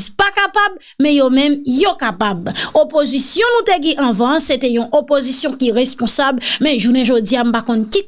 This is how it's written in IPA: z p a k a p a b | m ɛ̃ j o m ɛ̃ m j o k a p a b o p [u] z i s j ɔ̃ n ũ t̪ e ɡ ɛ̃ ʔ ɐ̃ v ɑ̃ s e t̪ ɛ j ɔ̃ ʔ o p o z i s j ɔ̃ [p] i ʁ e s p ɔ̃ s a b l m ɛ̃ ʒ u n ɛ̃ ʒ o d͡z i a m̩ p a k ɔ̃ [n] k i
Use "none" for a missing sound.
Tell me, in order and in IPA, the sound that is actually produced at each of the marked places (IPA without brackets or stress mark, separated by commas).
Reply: o, k, n